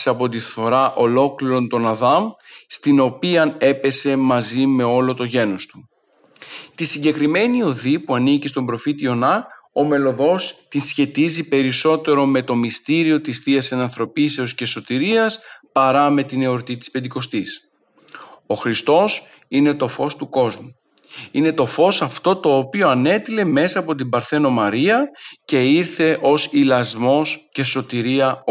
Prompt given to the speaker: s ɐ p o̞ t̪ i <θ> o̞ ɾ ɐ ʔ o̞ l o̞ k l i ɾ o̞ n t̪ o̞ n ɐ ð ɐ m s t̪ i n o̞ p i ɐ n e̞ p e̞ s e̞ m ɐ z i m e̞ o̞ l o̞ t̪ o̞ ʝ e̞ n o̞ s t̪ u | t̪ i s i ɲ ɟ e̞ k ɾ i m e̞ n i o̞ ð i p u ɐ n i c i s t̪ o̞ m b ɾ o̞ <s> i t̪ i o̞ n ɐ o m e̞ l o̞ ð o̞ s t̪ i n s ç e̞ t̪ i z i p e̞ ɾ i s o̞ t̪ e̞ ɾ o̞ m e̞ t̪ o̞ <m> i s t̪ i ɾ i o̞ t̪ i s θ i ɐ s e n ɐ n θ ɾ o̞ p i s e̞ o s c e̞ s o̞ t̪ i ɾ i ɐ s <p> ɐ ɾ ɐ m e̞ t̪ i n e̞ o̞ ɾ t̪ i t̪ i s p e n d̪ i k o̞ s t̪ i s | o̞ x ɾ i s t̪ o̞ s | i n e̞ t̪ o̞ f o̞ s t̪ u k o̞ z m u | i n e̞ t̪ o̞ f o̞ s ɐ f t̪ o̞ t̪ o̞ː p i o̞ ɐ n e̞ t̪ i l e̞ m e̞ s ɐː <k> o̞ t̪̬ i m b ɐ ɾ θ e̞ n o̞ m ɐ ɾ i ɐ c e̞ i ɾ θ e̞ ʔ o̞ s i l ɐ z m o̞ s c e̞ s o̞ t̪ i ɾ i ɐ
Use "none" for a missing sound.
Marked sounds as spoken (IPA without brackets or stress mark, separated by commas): θ, f, m, p, p